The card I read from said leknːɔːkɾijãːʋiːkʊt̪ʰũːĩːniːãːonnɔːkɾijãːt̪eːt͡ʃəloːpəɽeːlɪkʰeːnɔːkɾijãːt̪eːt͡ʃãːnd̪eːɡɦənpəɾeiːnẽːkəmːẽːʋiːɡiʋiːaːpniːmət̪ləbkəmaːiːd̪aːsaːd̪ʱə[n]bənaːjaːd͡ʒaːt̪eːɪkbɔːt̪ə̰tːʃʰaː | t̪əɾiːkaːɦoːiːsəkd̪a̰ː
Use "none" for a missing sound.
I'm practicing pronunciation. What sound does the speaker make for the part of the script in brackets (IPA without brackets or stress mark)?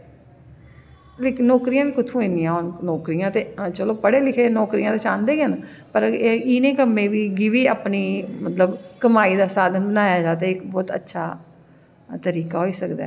n